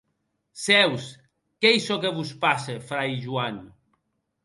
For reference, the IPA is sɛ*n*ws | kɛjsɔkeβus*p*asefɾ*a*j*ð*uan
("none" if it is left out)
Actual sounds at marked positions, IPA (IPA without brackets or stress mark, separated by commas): none, p, a, ʒ